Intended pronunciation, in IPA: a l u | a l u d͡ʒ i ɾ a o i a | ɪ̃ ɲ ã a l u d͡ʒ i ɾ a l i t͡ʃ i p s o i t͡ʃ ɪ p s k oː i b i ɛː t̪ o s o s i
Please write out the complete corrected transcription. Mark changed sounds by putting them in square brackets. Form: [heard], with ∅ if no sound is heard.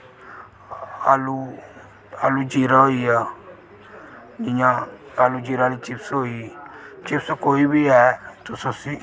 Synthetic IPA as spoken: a l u | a l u d͡ʒ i ɾ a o i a | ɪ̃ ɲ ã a l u d͡ʒ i ɾ a l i t͡ʃ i p s o i t͡ʃ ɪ p s k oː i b i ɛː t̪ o s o s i